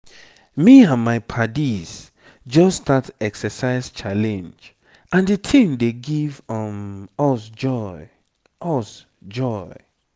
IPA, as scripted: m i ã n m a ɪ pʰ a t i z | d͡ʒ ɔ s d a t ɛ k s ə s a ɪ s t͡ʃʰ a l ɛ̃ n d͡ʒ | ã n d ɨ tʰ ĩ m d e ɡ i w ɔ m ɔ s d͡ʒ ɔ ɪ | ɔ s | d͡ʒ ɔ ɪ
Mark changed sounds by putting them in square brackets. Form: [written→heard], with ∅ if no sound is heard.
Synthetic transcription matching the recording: m i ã n m a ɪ pʰ a [t→d] i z | d͡ʒ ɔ s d a t ɛ k s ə s a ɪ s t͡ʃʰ a l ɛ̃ n d͡ʒ | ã n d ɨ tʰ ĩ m d e ɡ i [w→v] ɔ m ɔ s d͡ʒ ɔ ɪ | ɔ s | d͡ʒ ɔ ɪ